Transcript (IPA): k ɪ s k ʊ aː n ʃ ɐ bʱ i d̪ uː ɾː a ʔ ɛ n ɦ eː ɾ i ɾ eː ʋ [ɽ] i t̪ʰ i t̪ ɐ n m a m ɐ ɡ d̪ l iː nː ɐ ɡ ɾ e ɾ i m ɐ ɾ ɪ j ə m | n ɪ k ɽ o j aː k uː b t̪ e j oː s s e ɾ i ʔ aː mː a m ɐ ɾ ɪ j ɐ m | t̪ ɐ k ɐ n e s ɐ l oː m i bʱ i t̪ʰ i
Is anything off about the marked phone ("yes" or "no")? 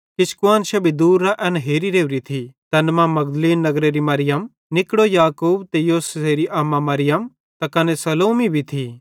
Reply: yes